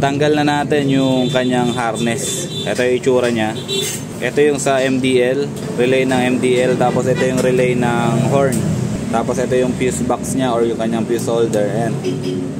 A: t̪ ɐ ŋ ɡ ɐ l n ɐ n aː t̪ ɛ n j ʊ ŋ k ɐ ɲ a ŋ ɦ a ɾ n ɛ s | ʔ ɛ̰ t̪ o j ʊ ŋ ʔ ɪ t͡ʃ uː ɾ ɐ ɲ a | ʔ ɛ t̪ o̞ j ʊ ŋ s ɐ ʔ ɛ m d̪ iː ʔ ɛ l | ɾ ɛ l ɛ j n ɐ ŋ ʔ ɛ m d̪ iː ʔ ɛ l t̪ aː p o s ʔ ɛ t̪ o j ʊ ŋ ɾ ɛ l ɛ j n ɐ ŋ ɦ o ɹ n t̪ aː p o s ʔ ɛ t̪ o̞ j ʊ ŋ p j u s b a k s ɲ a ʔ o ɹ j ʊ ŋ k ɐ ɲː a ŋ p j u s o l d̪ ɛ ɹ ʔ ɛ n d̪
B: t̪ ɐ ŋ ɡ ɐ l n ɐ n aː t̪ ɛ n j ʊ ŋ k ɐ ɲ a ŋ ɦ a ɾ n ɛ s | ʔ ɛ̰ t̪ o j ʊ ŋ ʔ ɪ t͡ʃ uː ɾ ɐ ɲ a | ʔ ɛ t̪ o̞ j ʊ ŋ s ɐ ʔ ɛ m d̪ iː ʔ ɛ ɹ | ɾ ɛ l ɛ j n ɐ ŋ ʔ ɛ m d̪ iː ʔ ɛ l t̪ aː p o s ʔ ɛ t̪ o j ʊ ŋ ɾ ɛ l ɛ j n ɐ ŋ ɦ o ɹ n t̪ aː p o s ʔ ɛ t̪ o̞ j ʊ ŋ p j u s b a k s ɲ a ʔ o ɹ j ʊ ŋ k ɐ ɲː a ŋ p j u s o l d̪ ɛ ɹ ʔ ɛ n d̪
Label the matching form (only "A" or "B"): A